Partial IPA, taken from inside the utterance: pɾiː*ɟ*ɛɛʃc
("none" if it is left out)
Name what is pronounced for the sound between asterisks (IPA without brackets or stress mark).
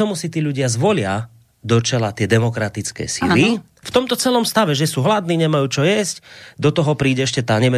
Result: ɟ